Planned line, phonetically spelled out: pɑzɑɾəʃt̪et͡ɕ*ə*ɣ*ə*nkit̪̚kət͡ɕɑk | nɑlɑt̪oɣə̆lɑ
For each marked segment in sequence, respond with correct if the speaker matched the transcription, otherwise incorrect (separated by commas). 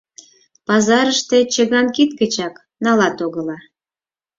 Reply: correct, incorrect